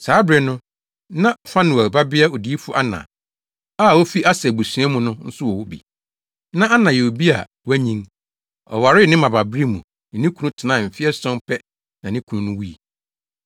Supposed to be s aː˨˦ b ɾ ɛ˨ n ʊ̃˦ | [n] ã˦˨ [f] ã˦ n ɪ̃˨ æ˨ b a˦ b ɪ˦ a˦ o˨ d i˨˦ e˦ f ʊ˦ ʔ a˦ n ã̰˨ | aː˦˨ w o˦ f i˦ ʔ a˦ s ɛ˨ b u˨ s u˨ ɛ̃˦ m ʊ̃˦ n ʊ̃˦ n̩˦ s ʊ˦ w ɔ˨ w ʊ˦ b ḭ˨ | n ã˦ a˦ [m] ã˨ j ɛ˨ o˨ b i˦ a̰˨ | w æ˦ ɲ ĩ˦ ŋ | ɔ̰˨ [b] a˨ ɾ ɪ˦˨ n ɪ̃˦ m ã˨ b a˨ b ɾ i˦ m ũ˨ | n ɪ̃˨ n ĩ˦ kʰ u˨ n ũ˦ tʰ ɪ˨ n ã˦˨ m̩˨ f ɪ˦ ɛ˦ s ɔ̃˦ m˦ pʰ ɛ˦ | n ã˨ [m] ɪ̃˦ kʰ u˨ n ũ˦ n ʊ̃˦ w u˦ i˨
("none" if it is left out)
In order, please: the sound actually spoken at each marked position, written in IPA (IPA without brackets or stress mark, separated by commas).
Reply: n, f, n, w, n